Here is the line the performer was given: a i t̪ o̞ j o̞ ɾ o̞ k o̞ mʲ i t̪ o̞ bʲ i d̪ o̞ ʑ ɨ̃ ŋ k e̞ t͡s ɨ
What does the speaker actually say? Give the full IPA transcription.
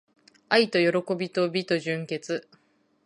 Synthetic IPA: a i t̪ o̞ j o̞ ɾ o̞ k o̞ bʲ i t̪ o̞ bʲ i t̪ o̞ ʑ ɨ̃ ŋ k e̞ t͡s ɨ